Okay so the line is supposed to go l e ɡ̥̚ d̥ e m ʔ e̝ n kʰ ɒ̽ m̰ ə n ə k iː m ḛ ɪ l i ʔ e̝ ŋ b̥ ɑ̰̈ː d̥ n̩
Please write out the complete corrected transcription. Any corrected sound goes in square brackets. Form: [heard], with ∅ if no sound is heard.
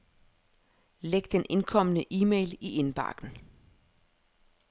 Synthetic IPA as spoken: l e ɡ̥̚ d̥ e [n] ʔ e̝ n kʰ ɒ̽ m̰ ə n ə [ʔ] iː m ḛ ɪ l i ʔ e̝ [n] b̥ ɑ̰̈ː [ɡ̥] n̩